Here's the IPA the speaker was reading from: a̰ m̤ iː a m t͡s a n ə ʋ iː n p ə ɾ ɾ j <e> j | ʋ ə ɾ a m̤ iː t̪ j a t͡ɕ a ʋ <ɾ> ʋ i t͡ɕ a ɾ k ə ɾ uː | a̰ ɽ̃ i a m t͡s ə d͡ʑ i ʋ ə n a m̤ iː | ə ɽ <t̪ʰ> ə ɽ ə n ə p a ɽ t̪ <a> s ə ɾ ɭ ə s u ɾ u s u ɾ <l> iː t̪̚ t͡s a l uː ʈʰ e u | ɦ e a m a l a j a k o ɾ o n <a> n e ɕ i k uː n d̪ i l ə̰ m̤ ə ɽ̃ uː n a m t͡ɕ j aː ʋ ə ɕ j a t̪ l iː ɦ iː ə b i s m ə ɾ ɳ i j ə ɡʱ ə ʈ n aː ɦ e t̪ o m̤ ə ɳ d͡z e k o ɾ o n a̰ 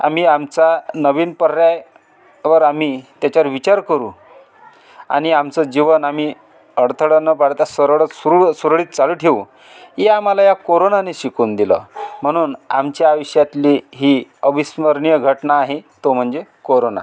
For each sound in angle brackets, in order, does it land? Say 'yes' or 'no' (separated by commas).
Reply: no, yes, yes, yes, no, yes